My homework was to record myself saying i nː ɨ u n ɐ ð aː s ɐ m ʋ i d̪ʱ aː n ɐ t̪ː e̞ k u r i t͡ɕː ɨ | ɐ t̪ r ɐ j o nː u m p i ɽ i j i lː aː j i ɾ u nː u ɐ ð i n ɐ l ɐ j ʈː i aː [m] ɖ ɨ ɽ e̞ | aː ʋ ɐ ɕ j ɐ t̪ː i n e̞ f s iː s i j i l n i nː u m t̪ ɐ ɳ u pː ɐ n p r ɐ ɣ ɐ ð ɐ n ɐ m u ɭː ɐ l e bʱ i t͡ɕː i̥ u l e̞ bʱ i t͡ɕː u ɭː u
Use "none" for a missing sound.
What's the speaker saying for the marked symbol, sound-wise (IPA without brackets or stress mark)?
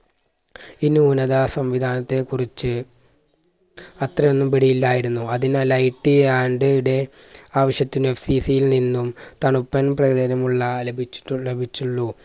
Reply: ɳ